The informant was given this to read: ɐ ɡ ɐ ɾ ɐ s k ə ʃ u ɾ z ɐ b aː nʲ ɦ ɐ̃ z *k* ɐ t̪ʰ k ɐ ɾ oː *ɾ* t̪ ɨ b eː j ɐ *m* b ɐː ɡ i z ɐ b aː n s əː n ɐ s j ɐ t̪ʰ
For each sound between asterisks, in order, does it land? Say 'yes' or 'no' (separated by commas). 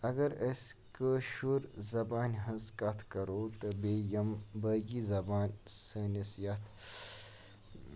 yes, no, yes